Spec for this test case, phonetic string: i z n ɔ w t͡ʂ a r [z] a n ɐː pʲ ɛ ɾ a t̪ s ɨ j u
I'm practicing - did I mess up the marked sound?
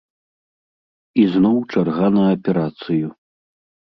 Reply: yes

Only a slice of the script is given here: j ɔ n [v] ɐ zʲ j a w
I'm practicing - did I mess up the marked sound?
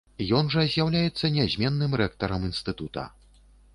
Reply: yes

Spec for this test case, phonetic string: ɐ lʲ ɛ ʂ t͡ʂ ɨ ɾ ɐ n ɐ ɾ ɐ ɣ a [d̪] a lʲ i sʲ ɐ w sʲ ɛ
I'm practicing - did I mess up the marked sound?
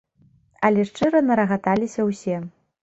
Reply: yes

